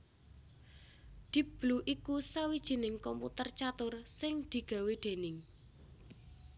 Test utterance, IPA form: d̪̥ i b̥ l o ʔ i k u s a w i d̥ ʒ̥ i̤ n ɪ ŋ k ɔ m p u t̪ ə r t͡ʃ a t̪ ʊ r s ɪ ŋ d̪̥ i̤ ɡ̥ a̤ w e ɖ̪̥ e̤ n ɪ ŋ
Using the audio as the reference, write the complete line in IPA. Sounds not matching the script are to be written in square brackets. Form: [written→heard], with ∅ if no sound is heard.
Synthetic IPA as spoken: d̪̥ i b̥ l [o→u] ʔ i k u s a w i d̥ ʒ̥ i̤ n ɪ ŋ k ɔ m p u t̪ ə r t͡ʃ a t̪ ʊ r s ɪ ŋ d̪̥ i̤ ɡ̥ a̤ w e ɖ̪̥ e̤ n ɪ ŋ